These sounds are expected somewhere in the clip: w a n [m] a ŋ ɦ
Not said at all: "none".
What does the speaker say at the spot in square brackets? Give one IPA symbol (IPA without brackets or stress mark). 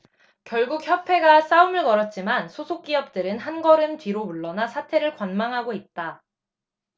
m